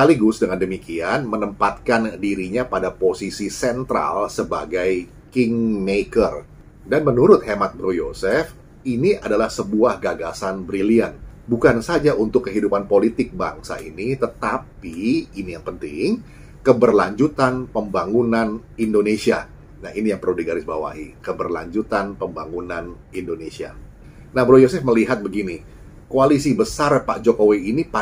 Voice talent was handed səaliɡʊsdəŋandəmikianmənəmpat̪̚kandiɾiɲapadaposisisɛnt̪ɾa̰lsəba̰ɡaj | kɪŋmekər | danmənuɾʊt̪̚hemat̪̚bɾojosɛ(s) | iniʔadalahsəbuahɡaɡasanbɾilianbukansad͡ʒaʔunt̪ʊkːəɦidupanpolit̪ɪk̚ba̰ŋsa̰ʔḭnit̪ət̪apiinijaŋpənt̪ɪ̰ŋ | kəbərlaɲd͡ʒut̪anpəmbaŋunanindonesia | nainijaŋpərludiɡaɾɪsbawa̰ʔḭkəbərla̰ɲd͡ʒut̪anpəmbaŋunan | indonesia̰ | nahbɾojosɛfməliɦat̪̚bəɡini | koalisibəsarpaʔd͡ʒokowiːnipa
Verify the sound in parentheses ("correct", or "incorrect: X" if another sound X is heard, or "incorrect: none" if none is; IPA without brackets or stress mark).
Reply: incorrect: f